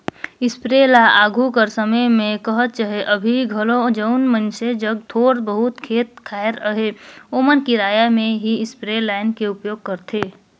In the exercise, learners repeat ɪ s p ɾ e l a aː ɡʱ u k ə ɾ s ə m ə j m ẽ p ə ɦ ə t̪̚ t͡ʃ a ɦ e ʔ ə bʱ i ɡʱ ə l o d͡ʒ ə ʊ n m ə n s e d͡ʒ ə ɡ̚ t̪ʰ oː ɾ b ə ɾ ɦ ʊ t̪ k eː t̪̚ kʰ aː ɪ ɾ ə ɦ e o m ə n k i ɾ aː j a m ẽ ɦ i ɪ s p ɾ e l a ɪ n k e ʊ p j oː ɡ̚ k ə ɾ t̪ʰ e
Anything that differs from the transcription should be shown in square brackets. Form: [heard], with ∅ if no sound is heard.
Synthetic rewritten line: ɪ s p ɾ e l a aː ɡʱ u k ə ɾ s ə m ə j m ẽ [k] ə ɦ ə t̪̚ t͡ʃ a ɦ e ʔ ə bʱ i ɡʱ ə l o d͡ʒ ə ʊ n m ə n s e d͡ʒ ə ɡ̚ t̪ʰ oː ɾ b ə [∅] ɦ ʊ t̪ [kʰ] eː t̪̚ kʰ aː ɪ ɾ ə ɦ e o m ə n k i ɾ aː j a m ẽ ɦ i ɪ s p ɾ e l a ɪ n k e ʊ p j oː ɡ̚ k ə ɾ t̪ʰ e